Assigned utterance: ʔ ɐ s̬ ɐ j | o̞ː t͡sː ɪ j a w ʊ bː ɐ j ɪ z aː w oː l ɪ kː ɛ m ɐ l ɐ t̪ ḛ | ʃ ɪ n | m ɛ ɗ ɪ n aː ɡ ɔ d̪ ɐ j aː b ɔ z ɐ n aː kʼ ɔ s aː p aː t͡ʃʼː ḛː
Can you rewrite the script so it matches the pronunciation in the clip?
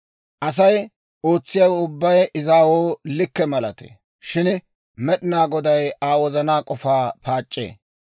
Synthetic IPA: ʔ ɐ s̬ ɐ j | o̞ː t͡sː ɪ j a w ʊ bː ɐ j ɪ z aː w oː l ɪ kː ɛ m ɐ l ɐ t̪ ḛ | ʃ ɪ n | m ɛ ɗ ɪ n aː ɡ ɔ d̪ ɐ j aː w ɔ z ɐ n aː kʼ ɔ f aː p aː t͡ʃʼː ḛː